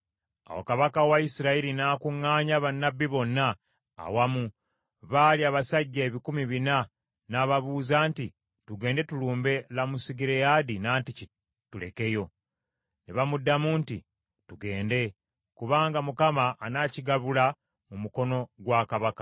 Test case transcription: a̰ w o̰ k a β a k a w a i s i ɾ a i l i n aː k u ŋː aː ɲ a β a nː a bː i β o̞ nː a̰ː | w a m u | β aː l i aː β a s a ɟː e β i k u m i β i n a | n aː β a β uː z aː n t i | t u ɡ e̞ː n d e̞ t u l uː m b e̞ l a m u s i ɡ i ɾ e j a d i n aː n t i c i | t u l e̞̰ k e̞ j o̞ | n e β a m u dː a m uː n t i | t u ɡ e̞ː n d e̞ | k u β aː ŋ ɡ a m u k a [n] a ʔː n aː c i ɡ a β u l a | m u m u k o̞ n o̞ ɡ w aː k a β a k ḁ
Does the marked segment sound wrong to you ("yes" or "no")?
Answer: yes